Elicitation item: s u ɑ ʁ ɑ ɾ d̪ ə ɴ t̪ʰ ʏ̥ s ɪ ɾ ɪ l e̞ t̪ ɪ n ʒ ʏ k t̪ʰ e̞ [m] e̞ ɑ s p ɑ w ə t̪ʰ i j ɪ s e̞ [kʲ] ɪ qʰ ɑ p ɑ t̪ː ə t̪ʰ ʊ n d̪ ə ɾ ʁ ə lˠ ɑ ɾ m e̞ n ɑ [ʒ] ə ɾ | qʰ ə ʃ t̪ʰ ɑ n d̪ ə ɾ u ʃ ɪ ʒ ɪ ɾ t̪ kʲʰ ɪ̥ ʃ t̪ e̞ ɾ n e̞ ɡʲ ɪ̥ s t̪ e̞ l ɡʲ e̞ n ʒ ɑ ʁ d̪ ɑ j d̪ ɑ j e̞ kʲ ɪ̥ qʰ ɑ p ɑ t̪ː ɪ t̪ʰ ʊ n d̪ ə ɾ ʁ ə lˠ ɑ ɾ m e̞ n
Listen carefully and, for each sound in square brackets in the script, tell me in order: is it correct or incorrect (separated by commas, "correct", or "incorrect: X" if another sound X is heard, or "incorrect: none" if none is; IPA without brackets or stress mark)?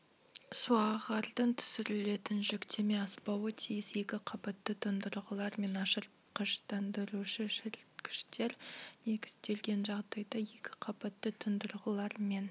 correct, correct, incorrect: ʃ